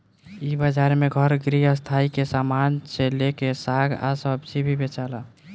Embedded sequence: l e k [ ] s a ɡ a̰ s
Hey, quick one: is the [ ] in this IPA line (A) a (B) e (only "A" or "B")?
B